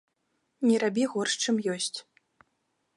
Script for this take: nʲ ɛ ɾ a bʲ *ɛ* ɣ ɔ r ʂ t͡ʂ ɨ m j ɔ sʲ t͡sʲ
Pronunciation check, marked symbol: incorrect: i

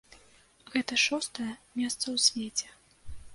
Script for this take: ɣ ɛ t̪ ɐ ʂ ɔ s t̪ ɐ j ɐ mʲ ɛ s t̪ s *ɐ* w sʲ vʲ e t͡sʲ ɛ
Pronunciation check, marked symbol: correct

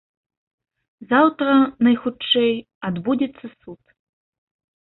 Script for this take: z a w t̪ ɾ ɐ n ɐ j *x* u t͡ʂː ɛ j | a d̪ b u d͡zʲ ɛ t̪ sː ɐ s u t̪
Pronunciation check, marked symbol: correct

